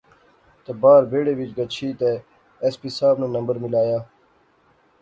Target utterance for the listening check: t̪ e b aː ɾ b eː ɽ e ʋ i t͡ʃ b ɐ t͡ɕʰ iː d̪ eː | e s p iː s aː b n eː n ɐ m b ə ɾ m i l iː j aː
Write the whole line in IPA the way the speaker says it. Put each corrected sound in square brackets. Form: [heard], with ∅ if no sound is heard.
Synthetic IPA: t̪ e b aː ɾ b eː ɽ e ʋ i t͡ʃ [ɡ] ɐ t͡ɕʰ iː [t̪] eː | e s p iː s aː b n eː n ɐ m b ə ɾ m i l [aː] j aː

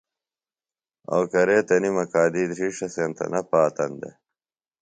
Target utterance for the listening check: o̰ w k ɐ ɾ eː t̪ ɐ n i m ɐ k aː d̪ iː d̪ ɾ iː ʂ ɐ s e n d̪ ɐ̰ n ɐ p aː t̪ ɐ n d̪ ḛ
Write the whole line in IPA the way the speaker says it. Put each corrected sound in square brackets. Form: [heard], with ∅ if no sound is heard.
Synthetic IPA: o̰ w k ɐ ɾ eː t̪ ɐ n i m ɐ k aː d̪ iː d̪ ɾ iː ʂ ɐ s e n [t̪] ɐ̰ n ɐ p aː t̪ ɐ n d̪ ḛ

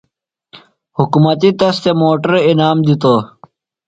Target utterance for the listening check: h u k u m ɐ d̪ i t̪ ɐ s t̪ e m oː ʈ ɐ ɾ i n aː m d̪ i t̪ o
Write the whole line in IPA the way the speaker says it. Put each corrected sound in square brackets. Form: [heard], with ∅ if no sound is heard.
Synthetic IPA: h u k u m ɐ [t̪] i t̪ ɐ s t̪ e m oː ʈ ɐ ɾ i n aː m d̪ i t̪ o

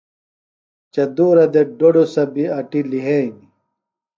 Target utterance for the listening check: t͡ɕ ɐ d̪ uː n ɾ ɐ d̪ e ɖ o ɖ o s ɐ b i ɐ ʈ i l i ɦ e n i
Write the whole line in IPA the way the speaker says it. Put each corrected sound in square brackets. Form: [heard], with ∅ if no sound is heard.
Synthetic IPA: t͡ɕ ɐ d̪ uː [∅] ɾ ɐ d̪ e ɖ o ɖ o s ɐ b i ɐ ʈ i l i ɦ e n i

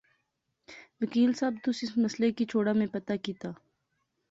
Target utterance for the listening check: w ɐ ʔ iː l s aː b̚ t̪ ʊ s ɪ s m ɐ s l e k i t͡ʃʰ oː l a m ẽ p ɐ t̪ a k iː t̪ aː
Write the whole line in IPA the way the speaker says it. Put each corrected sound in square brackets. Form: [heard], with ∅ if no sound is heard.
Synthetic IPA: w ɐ [k] iː l s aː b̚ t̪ ʊ s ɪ s m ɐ s l e k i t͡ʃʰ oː [ɽ] a m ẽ p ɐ t̪ a k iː t̪ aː

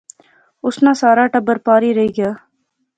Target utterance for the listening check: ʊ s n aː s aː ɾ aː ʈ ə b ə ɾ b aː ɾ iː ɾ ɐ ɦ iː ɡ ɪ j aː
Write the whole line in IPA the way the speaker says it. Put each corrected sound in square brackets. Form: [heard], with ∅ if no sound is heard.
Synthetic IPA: ʊ s n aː s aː ɾ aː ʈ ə b ə ɾ [p] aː ɾ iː ɾ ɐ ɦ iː ɡ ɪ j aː

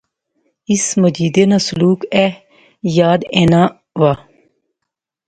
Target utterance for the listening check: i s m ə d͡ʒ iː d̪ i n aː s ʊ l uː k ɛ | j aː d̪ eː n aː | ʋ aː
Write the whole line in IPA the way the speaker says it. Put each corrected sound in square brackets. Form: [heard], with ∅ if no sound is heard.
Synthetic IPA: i s m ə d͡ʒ iː d̪ [e] n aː s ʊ l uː k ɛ | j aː d̪ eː n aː | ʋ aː

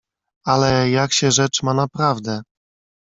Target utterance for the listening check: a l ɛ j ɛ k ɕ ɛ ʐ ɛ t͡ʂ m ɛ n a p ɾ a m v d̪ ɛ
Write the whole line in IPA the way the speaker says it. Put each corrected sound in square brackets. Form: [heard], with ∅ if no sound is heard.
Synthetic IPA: a l ɛ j [a] k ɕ ɛ ʐ ɛ t͡ʂ m [a] n a p ɾ a [∅] v d̪ ɛ

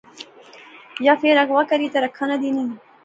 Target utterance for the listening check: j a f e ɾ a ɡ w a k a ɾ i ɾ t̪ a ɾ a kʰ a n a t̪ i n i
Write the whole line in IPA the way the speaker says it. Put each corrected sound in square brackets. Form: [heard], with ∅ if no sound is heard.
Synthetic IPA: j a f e ɾ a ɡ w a k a ɾ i [∅] t̪ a ɾ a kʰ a n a [d̪] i n i

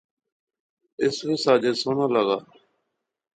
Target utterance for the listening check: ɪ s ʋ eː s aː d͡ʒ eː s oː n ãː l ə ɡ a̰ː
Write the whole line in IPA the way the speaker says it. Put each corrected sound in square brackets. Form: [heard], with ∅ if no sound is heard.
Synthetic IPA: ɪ s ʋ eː s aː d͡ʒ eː s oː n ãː l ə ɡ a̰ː

